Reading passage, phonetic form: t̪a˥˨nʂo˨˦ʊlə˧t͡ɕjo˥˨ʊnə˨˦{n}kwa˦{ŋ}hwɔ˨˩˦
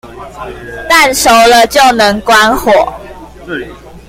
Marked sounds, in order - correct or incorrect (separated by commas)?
incorrect, incorrect